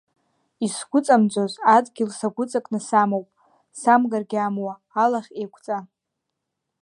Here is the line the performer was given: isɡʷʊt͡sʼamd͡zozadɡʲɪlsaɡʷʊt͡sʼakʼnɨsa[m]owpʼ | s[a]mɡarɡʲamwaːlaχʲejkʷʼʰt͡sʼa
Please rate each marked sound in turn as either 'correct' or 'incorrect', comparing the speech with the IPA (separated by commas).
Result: correct, correct